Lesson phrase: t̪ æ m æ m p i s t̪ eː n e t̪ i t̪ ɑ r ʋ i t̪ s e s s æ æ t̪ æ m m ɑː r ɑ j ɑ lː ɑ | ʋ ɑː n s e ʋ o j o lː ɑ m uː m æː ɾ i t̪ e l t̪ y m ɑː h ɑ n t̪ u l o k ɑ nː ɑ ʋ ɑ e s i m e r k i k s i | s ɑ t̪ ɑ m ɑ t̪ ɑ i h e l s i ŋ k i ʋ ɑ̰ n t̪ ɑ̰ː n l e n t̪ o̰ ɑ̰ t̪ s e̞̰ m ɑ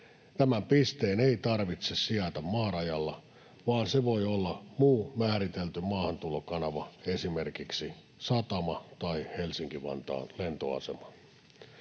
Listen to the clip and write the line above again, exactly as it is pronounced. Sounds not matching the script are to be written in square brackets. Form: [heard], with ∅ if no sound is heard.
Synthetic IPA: t̪ æ m æ m p i s t̪ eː n e [∅] i t̪ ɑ r ʋ i t̪ s e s s [i] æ t̪ æ m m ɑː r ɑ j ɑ lː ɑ | ʋ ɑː n s e ʋ o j o lː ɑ m uː m æː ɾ i t̪ e l t̪ y m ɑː h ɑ n t̪ u l o k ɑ [n] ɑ ʋ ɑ e s i m e r k i k s i | s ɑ t̪ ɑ m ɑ t̪ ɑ i h e l s i ŋ k i ʋ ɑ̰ n t̪ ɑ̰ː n l e n t̪ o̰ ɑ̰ [∅] s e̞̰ m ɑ